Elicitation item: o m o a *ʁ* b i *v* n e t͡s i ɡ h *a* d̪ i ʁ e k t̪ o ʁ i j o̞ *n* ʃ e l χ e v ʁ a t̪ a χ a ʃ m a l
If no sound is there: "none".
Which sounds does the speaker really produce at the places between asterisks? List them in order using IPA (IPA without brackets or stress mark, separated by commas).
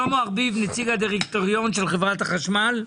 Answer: ʁ, v, a, n